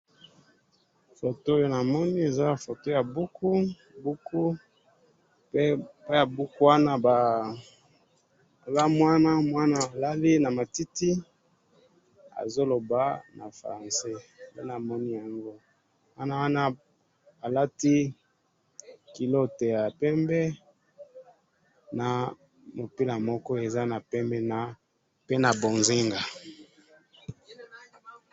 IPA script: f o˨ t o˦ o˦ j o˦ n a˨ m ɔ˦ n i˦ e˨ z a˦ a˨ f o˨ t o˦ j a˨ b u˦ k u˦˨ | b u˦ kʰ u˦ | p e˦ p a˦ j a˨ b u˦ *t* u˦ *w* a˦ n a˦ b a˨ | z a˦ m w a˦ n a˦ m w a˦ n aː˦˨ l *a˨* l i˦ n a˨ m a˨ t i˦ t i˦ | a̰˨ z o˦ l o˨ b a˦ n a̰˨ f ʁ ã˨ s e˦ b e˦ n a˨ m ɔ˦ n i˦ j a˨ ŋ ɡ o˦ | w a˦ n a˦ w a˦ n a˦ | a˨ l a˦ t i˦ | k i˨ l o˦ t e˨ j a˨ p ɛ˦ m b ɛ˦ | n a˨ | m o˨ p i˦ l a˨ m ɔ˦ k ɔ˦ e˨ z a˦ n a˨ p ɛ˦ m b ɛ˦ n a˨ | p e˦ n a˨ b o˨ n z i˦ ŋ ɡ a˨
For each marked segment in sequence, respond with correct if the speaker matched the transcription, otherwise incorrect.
incorrect, correct, incorrect

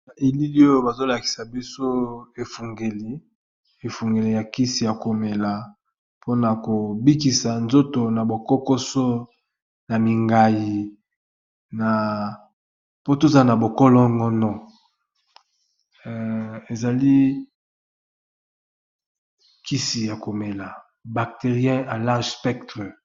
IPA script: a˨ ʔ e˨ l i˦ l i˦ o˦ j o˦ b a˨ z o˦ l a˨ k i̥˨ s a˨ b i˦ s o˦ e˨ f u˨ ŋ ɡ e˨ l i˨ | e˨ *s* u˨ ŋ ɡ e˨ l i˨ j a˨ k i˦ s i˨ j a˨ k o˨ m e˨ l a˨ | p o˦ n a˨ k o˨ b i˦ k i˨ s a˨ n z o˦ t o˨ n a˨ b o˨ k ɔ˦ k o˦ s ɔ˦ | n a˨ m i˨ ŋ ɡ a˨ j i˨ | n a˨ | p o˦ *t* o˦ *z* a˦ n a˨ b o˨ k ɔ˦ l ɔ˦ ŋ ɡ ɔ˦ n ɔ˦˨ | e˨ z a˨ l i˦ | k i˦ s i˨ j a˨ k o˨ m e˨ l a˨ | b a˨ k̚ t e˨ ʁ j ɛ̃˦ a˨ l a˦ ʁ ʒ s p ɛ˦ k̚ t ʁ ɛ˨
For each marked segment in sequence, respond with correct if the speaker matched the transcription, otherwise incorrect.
incorrect, correct, correct

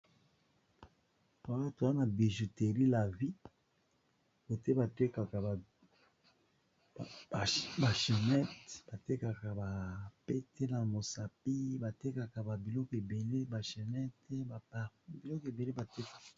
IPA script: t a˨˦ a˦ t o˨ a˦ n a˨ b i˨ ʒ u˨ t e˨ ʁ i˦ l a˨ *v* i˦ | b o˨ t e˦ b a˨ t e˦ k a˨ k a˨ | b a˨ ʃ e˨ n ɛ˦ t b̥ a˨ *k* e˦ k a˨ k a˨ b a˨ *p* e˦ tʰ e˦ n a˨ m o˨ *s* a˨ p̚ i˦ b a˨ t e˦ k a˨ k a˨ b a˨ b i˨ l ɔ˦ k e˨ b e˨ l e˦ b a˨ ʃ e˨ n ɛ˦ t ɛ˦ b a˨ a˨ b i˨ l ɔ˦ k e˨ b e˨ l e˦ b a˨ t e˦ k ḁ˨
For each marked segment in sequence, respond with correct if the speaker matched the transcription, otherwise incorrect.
correct, incorrect, correct, correct

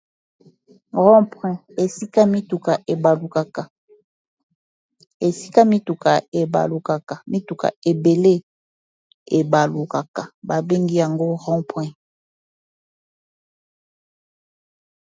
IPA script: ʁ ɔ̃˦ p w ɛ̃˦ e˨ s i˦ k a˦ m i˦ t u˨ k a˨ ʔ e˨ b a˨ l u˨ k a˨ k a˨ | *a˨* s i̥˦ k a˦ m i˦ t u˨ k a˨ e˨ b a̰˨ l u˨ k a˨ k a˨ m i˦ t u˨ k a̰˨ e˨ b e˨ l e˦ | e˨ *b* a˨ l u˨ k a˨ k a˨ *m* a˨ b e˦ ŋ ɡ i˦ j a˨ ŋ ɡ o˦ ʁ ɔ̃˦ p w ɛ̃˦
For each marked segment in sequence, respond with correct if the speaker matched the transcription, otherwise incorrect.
incorrect, correct, incorrect

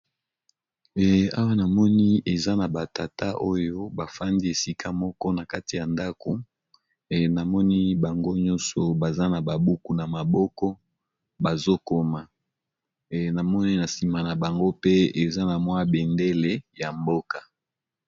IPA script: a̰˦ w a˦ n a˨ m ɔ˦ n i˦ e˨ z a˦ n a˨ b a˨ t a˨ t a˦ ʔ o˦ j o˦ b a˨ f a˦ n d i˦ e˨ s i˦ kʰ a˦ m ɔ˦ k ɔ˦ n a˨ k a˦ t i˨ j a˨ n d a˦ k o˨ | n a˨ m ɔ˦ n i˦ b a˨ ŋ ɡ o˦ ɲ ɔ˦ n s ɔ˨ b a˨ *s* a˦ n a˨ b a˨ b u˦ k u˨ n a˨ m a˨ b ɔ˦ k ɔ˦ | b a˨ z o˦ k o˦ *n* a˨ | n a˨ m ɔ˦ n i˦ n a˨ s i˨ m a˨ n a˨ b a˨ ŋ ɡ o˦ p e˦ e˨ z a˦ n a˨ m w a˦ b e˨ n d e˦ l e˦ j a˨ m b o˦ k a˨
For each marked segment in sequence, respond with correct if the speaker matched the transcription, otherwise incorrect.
incorrect, incorrect

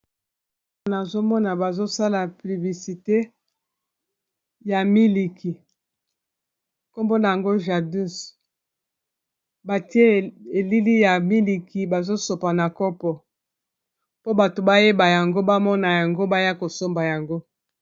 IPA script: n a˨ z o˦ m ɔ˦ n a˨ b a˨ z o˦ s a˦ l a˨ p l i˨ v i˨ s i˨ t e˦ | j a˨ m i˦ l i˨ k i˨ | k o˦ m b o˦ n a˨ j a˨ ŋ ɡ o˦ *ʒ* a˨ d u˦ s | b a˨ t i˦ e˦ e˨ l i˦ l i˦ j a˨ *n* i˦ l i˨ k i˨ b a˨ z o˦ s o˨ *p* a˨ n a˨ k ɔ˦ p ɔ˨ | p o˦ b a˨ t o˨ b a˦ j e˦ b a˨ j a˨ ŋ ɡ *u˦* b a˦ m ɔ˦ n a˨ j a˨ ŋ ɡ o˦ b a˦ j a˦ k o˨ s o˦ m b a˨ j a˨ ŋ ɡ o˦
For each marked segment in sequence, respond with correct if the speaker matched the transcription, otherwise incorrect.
correct, incorrect, correct, incorrect

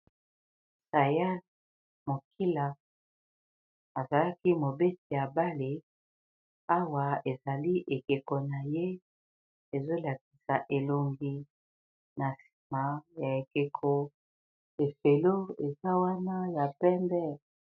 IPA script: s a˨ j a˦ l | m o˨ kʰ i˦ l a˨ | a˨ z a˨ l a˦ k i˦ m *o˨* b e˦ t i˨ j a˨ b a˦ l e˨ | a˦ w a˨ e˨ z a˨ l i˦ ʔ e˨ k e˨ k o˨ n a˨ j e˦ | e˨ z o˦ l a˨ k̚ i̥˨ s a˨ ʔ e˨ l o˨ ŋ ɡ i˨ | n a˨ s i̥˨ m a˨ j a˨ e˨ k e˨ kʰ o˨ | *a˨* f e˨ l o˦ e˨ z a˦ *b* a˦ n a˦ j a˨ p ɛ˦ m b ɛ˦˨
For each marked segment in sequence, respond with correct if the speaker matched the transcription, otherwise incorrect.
correct, incorrect, incorrect

